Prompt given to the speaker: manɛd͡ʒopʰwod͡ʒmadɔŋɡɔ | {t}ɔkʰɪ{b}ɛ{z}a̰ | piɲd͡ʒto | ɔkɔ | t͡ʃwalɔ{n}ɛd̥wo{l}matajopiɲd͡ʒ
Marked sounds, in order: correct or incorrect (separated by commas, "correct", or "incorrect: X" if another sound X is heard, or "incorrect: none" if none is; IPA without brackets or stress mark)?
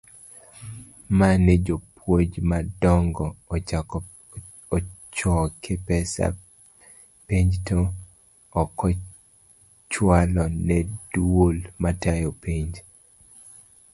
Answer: incorrect: t͡ʃ, incorrect: p, incorrect: s, correct, correct